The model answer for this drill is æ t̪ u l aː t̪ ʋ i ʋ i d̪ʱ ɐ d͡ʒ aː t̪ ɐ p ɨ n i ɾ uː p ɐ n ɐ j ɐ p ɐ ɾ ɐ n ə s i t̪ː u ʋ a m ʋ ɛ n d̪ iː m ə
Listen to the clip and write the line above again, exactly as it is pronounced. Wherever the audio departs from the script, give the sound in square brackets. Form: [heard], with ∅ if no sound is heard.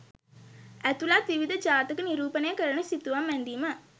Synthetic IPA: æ t̪ u l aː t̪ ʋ i ʋ i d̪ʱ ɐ d͡ʒ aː t̪ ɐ [k] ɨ n i ɾ uː p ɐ n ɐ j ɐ [k] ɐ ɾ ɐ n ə s i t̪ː u ʋ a m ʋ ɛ n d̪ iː m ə